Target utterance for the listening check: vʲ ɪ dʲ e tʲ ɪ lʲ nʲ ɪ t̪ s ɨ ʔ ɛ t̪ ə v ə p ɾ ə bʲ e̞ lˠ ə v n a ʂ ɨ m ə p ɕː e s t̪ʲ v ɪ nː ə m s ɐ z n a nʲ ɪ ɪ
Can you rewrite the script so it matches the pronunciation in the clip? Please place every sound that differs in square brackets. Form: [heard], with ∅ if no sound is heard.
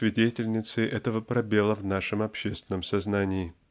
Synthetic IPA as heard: vʲ ɪ dʲ e tʲ ɪ lʲ nʲ ɪ t̪ s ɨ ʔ ɛ t̪ ə v ə p ɾ [ɐ] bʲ e̞ lˠ ə v n a ʂ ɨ m [ɐ] p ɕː e s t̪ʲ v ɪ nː ə m s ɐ z n a nʲ ɪ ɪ